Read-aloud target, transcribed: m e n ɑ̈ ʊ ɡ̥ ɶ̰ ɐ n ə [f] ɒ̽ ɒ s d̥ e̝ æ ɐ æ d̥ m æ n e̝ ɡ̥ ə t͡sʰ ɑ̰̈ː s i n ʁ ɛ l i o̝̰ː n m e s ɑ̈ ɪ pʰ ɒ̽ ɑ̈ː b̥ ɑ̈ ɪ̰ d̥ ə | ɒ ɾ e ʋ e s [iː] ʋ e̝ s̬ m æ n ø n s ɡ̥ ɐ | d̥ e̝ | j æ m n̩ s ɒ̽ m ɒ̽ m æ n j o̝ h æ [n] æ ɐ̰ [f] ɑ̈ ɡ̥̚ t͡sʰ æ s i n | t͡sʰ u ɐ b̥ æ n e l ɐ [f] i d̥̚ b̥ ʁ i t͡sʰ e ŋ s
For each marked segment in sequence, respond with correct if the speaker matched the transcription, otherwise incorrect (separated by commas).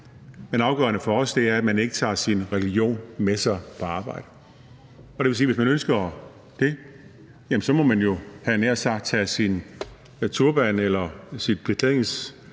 correct, correct, correct, incorrect, incorrect